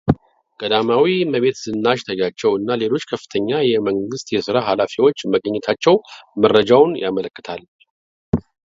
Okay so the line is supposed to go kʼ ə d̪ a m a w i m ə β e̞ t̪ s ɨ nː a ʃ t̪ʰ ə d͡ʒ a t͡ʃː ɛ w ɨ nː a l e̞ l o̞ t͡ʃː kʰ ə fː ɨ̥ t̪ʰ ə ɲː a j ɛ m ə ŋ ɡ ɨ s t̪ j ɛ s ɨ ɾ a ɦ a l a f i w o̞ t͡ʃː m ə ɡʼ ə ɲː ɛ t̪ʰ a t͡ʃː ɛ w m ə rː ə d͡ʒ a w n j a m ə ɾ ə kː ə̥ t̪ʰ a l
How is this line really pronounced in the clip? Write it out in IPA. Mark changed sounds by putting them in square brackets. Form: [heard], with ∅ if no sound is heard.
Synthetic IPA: kʼ ə d̪ a m a w i m ə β e̞ t̪ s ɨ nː a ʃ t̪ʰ ə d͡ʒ a t͡ʃː ɛ w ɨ nː a l e̞ l o̞ t͡ʃː kʰ ə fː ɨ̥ t̪ʰ ə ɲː a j ɛ m ə ŋ ɡ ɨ s t̪ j ɛ s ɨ ɾ a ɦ a l a f i w o̞ t͡ʃː m ə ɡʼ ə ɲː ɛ t̪ʰ a t͡ʃː ɛ w m ə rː ə d͡ʒ a w n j a m ə [l] ə kː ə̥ t̪ʰ a l